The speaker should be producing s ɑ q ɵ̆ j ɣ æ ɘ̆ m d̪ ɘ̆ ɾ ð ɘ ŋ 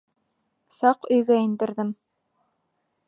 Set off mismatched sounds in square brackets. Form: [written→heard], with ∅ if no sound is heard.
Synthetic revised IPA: s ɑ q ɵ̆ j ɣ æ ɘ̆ [m→n] d̪ ɘ̆ ɾ ð ɘ [ŋ→m]